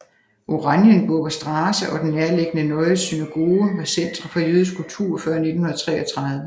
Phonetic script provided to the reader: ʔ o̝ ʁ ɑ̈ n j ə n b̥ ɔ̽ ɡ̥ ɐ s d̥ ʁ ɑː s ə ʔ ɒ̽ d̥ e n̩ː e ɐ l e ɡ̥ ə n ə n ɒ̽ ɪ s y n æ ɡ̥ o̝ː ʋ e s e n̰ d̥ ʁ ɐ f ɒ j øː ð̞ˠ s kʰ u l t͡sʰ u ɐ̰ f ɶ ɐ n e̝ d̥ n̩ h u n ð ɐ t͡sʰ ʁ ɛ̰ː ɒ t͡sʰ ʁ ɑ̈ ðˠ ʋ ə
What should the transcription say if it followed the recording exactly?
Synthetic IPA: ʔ o̝ ʁ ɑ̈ n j ə n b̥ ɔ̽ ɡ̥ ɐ s d̥ ʁ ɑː s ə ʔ ɒ̽ d̥ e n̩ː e ɐ l e ɡ̥ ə n ə n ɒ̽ ɪ s y n æ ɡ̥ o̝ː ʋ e s e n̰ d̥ ʁ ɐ f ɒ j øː ð̞ˠ s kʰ u l t͡sʰ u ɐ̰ f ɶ ɐ n e̝ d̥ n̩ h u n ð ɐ t͡sʰ ʁ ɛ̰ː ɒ t͡sʰ ʁ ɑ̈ ðˠ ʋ ə

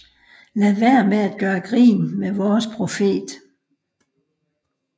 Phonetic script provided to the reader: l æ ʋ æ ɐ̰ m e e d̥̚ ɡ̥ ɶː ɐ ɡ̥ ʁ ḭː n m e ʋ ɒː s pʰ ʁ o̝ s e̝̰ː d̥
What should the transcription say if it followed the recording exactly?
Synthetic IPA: l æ ʋ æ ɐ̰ m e æ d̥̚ ɡ̥ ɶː ɐ ɡ̥ ʁ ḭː n m e ʋ ɒː s pʰ ʁ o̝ f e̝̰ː d̥

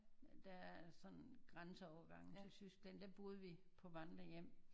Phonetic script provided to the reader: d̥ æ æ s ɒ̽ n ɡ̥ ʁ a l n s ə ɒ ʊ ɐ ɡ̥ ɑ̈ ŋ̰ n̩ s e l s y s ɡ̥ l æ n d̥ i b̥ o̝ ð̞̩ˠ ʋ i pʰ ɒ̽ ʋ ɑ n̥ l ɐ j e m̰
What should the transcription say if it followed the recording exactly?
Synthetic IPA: d̥ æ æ s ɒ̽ n ɡ̥ ʁ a n s ə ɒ ʊ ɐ ɡ̥ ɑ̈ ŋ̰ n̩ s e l s y s ɡ̥ l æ n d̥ æ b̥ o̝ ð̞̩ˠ ʋ i pʰ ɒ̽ ʋ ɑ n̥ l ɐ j e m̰

